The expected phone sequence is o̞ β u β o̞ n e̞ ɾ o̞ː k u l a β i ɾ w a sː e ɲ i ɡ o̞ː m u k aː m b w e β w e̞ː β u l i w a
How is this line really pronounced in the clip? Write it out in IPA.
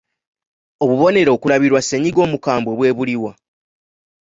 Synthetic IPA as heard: o̞ β u β o̞ n e̞ ɾ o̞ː k u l a β i ɾ w a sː e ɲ i ɡ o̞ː m u k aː m b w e β w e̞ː β u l i w a